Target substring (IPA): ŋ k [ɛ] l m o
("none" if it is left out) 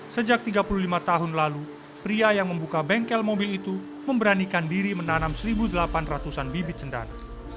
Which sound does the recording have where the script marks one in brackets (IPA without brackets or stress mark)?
ɛ